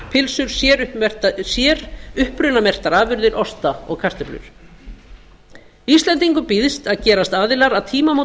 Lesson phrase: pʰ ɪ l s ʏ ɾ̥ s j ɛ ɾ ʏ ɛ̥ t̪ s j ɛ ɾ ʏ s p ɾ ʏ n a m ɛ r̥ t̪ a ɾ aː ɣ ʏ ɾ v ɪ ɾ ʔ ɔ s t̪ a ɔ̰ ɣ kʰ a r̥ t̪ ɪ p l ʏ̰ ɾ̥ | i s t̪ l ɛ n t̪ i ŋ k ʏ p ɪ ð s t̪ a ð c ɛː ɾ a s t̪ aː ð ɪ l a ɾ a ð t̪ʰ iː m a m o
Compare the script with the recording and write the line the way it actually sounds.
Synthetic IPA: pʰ ɪ l s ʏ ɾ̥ s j ɛ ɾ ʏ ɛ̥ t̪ s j ɛ ɾ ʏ h p ɾ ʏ n a m ɛ r̥ t̪ a ɾ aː v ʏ ɾ ð ɪ ɾ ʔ ɔ s t̪ a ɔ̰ ɣ kʰ a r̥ t̪ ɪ p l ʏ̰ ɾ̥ | i s t̪ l ɛ n t̪ i ŋ k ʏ p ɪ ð s t̪ a ð c ɛː ɾ a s t̪ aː ð ɪ l a ɾ a ð t̪ʰ iː m a m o